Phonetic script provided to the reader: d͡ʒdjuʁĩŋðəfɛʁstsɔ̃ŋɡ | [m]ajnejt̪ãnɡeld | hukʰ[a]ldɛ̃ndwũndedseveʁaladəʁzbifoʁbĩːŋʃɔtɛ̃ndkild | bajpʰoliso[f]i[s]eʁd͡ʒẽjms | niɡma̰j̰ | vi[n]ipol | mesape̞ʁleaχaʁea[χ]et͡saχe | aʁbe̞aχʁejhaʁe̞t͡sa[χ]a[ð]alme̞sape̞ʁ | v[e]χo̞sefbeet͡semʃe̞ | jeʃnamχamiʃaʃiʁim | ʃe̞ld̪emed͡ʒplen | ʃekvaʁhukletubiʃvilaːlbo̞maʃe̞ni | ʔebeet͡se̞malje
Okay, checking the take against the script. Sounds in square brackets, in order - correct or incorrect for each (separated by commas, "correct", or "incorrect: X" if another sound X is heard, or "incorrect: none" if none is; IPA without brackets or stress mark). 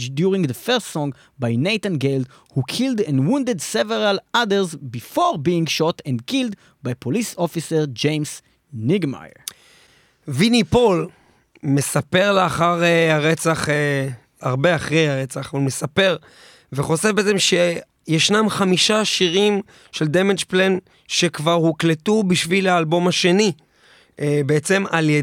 incorrect: b, incorrect: i, correct, correct, correct, incorrect: ʁ, correct, incorrect: v, correct